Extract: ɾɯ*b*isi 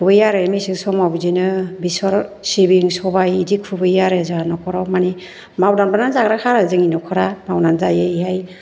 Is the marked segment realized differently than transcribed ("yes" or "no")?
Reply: yes